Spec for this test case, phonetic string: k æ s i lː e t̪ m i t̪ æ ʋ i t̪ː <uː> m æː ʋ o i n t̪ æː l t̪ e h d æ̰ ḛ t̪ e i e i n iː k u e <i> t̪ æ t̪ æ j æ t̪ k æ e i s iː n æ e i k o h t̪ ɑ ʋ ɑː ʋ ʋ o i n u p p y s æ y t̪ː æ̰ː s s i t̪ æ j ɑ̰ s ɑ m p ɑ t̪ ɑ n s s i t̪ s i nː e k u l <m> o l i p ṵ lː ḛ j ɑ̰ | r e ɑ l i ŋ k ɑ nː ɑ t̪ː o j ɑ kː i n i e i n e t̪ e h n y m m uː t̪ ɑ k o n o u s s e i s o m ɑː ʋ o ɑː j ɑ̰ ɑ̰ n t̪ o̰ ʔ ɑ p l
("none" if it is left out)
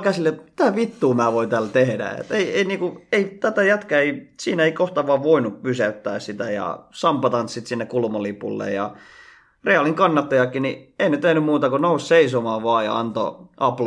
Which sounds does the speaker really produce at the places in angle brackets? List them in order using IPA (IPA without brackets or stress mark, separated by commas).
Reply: uː, i, m